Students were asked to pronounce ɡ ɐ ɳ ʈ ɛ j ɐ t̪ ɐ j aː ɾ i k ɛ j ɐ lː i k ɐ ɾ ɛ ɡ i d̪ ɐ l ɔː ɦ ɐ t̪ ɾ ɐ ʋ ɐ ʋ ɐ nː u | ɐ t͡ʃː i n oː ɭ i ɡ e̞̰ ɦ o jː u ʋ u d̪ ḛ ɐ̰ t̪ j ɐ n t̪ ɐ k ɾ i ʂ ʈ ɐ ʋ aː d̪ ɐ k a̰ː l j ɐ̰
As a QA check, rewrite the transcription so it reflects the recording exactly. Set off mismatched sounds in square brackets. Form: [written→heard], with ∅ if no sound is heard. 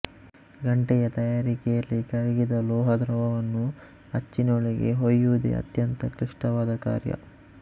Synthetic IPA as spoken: ɡ ɐ ɳ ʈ ɛ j ɐ t̪ ɐ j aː ɾ i k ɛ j ɐ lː i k ɐ ɾ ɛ ɡ i d̪ ɐ l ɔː ɦ ɐ [t̪→d̪] ɾ ɐ ʋ ɐ ʋ ɐ nː u | ɐ t͡ʃː i n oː ɭ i ɡ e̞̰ ɦ o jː u ʋ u d̪ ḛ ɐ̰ t̪ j ɐ n t̪ ɐ k ɾ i ʂ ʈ ɐ ʋ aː d̪ ɐ k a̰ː [l→ɾ] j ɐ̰